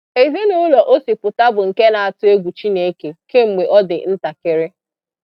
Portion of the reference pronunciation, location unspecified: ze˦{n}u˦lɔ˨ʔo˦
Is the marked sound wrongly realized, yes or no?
no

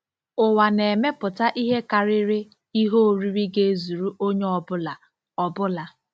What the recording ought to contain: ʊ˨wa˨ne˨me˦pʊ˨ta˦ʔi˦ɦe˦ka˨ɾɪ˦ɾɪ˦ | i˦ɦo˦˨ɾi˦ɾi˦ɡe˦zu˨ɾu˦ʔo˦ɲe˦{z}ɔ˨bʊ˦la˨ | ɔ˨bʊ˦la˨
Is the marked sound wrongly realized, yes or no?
yes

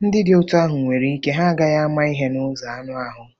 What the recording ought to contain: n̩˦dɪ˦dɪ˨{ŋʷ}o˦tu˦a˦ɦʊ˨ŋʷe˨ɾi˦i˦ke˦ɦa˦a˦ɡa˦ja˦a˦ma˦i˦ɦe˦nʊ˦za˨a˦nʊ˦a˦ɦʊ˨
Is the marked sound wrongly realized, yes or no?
yes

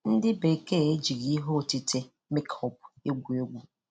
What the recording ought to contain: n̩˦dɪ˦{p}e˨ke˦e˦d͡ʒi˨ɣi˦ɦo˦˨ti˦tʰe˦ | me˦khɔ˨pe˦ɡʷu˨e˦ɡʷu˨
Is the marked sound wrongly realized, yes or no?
yes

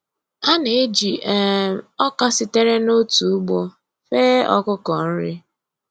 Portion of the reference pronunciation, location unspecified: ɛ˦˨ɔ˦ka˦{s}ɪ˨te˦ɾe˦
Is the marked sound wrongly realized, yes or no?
no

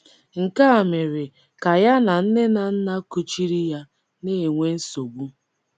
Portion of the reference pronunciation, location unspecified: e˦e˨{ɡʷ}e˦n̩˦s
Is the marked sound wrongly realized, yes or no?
yes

